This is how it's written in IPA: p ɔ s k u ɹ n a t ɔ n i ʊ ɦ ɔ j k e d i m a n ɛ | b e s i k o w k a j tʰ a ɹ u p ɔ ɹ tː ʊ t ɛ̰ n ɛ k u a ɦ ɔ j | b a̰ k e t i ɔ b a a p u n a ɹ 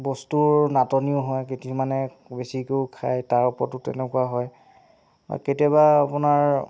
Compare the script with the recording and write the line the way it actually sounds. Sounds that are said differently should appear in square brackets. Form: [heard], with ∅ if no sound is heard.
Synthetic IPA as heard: [b] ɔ s [t] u ɹ n a t ɔ n i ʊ ɦ ɔ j k e [t] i m a n ɛ | b e s i k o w [kʰ] a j [t] a ɹ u p ɔ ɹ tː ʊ t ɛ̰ n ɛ k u a ɦ ɔ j | b a̰ k e t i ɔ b a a p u n a ɹ